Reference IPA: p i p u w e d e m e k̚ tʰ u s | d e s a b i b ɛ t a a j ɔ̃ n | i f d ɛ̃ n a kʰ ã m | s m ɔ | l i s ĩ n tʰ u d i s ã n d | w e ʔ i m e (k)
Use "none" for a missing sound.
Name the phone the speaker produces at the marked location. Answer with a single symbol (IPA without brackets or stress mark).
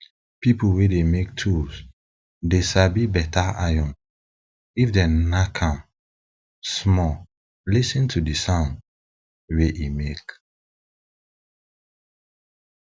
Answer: k